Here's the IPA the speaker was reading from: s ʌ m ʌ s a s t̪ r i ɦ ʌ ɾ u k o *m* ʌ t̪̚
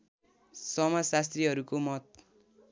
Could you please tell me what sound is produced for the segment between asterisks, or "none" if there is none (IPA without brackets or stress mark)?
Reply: m